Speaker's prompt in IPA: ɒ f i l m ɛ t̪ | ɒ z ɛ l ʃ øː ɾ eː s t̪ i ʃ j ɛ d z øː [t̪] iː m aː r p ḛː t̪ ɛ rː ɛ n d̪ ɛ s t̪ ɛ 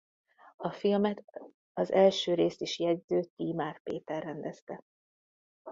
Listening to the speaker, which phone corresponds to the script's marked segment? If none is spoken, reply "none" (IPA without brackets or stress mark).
t̪